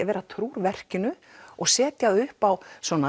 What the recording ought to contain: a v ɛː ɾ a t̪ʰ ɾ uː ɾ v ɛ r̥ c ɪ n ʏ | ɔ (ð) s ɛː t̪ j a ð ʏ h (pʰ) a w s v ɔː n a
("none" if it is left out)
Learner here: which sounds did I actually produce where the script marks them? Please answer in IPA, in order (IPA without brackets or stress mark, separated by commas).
ɣ, p